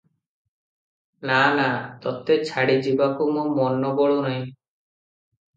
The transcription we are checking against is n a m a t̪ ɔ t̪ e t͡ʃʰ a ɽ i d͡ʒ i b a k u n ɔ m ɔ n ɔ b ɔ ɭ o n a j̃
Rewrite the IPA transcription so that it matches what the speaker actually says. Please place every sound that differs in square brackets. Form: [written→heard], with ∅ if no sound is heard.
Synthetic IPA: n a [m→n] a t̪ ɔ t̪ e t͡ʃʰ a ɽ i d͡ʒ i b a k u [n→m] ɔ m ɔ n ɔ b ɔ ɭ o n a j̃